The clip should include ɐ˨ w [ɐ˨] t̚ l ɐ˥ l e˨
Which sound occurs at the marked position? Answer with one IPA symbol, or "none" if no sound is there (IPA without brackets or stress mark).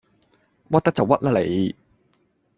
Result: ɐ˥